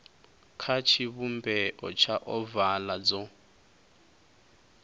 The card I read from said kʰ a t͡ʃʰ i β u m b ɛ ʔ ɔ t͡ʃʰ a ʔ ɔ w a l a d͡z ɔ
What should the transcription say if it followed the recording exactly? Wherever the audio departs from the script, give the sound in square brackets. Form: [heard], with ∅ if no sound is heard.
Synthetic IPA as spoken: kʰ a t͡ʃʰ i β u m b ɛ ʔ ɔ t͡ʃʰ a ʔ ɔ [v] a l a d͡z ɔ